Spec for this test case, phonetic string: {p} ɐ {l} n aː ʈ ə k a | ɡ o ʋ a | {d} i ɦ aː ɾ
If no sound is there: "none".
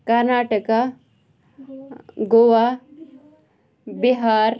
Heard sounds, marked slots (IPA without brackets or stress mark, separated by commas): k, ɾ, b